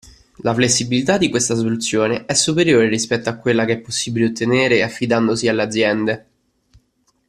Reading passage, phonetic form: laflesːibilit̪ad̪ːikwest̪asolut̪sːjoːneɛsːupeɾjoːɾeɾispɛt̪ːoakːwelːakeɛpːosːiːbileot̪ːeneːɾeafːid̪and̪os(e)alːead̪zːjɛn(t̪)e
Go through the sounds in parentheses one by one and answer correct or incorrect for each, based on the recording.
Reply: incorrect: i, incorrect: d̪

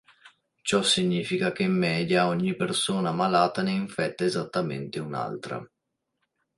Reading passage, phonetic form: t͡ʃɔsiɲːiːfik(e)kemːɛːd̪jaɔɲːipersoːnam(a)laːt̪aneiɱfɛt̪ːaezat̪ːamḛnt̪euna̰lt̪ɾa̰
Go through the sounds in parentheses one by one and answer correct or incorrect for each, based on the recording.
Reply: incorrect: a, correct

